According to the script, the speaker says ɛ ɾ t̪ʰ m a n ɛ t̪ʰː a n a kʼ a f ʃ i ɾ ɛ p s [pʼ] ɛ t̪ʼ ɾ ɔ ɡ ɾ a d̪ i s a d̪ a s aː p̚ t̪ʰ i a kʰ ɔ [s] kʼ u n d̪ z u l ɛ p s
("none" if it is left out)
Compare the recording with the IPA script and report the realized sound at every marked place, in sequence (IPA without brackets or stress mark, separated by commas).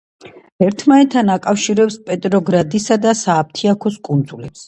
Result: pʼ, s